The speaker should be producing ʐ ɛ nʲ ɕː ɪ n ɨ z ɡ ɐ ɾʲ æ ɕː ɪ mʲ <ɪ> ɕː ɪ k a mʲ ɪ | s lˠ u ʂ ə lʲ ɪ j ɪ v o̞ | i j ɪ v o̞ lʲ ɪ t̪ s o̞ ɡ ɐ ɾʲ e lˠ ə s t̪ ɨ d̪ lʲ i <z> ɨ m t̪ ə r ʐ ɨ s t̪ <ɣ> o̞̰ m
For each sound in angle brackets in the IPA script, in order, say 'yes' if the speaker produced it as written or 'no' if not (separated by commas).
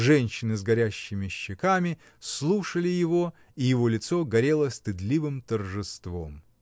yes, no, no